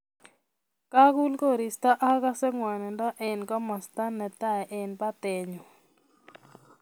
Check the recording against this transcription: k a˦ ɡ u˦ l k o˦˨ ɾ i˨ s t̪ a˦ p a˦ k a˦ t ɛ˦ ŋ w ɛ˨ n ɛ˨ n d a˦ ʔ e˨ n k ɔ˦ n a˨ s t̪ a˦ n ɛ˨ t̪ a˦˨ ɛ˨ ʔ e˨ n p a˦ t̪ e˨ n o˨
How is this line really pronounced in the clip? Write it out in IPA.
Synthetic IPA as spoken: k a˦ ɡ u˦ l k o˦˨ ɾ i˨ s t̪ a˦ ʔ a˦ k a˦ s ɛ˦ ŋ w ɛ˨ n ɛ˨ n d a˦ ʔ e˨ n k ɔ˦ m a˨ s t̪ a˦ n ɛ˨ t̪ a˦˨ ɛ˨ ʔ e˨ n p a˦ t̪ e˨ ɲ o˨